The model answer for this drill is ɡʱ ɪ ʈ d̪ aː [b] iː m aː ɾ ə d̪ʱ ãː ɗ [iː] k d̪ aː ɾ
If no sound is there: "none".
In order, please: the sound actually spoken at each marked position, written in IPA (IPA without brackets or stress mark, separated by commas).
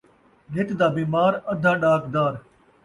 b, aː